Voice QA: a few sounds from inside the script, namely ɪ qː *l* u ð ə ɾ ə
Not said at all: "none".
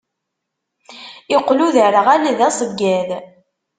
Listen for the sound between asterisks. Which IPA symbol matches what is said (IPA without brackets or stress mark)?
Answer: l